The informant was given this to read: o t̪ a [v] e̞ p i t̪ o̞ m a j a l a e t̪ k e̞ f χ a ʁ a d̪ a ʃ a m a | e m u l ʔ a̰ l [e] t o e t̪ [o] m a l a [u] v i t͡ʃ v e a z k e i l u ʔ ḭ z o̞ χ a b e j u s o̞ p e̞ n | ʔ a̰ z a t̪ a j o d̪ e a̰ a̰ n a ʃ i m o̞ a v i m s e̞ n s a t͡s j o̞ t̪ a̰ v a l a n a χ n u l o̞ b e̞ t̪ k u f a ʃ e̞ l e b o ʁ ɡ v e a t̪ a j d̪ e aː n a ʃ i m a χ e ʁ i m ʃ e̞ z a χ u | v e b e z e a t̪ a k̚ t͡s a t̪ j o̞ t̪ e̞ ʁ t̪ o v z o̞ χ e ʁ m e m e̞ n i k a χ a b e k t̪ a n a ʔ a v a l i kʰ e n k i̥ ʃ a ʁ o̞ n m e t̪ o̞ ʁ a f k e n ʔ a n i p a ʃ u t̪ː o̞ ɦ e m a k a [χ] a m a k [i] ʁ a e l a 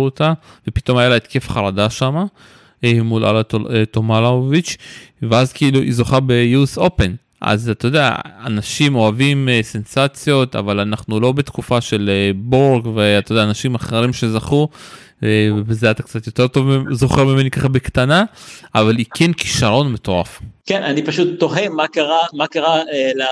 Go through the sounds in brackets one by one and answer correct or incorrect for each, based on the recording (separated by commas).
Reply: correct, incorrect, correct, incorrect, incorrect, incorrect